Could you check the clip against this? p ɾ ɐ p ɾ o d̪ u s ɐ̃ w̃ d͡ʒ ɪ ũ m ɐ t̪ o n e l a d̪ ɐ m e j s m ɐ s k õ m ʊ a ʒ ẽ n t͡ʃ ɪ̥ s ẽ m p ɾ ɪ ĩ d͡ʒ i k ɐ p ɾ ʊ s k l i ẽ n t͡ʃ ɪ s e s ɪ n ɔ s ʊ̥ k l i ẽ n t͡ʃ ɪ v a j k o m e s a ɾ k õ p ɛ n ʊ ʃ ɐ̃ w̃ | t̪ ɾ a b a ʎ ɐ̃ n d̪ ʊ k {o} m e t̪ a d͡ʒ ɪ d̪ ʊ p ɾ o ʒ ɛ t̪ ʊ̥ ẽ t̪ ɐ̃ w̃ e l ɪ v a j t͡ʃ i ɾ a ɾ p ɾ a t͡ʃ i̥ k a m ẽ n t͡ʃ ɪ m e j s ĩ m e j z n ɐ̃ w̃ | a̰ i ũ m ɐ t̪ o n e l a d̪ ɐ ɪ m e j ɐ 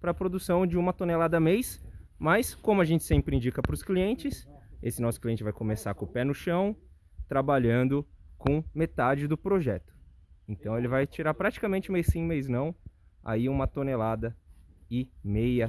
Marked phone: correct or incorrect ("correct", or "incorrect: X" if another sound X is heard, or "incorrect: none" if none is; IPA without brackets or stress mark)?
incorrect: õ